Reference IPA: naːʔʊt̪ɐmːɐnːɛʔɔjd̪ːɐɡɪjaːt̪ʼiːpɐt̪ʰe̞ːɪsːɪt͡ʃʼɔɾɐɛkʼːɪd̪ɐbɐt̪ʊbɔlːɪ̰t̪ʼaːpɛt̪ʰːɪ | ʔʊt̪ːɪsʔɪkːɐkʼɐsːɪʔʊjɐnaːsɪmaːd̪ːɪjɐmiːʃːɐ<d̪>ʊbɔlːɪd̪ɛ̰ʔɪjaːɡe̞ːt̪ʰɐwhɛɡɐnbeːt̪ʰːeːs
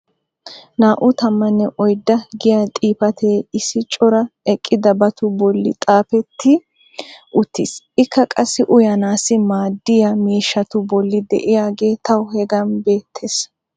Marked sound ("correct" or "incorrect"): incorrect